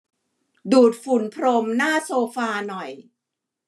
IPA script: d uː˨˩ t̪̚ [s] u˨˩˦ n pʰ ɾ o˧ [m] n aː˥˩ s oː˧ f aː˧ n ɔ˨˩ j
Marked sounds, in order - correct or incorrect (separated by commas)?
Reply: incorrect, correct